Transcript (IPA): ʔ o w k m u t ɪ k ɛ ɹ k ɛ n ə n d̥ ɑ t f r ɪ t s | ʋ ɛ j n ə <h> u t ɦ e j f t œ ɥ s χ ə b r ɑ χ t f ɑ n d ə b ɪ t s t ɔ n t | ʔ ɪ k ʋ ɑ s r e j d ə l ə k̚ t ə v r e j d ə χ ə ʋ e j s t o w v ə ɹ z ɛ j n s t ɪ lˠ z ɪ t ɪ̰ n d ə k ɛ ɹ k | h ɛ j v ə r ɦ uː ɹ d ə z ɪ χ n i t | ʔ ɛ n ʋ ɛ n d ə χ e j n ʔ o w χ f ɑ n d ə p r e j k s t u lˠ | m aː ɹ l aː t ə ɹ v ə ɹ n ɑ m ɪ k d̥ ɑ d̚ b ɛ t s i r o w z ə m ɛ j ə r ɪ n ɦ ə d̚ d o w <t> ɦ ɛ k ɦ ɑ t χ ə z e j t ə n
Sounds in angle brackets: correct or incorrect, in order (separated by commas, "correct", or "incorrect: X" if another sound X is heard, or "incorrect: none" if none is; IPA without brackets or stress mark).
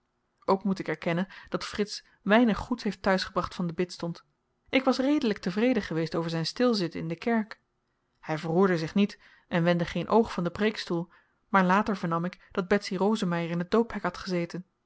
incorrect: χ, incorrect: p